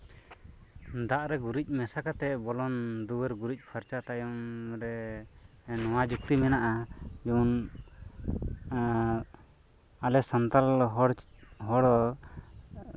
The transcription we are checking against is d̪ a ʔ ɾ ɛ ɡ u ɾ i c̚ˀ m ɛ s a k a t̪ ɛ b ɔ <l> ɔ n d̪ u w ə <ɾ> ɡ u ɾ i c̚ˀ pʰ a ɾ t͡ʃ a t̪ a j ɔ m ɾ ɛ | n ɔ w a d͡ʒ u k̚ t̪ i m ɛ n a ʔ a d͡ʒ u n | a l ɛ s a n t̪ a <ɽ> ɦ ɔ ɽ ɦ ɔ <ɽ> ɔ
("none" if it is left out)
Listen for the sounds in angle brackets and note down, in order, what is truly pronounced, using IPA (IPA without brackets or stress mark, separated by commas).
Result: l, ɾ, l, ɽ